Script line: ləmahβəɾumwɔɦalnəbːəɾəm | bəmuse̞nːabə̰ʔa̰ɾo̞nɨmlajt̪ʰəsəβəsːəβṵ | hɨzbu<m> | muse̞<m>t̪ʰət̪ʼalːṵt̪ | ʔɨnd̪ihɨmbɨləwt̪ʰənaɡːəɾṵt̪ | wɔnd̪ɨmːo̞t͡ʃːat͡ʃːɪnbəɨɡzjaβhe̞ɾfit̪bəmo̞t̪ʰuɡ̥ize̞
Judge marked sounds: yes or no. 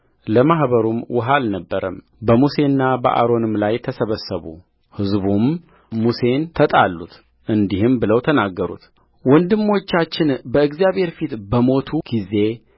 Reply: yes, no

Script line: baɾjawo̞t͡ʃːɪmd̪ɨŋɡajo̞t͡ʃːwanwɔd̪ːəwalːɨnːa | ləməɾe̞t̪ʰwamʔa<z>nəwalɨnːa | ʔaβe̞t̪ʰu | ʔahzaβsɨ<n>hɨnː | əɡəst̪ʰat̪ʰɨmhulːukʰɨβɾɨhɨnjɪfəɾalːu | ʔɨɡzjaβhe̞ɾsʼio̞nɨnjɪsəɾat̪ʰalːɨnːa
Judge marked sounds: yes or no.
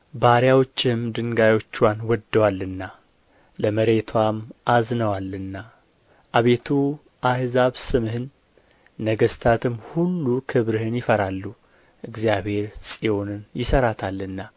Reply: yes, no

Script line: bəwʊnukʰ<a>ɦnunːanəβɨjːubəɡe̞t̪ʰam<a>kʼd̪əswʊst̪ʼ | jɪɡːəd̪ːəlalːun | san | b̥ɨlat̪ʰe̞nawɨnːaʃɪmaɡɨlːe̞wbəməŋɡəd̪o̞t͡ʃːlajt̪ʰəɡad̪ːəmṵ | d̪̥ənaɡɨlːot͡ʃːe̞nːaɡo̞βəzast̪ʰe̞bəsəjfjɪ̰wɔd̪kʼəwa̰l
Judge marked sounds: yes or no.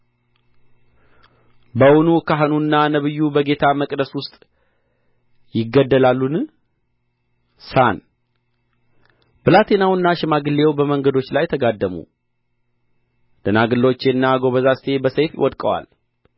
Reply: yes, no

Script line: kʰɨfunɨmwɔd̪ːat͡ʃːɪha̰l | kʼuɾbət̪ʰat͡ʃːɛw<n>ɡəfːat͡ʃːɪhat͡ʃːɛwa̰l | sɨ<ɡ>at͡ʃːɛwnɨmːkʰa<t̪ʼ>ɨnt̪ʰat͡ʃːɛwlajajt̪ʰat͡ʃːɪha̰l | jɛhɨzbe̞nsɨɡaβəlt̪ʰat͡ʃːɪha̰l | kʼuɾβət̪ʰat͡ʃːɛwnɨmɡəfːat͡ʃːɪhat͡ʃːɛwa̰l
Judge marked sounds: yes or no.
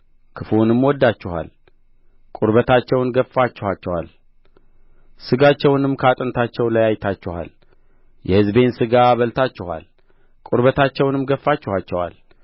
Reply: yes, yes, yes

